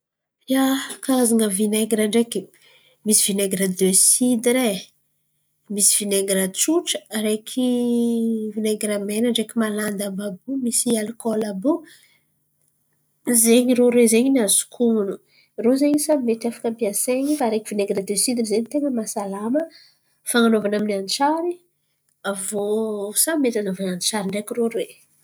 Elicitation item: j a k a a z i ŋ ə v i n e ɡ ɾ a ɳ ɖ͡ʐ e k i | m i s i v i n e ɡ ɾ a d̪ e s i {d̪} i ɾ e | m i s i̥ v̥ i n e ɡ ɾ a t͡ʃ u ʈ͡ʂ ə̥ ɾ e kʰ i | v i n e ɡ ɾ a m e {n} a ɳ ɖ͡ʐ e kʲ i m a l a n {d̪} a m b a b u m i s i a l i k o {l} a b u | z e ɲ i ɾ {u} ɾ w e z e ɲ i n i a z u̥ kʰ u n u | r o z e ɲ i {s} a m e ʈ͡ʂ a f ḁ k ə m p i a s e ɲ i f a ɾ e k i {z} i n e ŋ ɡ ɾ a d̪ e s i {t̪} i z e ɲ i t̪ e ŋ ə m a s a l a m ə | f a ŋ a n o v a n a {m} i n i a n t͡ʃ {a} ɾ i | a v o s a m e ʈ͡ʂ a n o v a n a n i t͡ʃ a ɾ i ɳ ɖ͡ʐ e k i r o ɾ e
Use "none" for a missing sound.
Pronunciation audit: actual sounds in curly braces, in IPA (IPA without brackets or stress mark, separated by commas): d̪, n, d̪, l, o, s, v, d̪, m, a